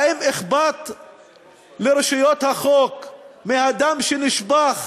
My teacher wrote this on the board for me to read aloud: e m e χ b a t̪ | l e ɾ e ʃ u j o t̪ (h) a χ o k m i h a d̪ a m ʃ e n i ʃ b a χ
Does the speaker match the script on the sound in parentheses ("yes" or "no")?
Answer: yes